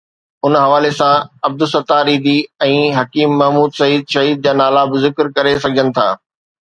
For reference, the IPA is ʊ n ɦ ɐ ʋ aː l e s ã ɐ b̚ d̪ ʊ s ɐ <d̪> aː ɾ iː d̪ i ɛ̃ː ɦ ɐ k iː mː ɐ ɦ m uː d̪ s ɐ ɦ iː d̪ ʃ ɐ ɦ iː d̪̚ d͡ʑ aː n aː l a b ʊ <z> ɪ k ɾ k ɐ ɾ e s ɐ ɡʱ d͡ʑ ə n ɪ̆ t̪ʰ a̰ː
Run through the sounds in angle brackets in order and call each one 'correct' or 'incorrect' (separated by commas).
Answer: incorrect, correct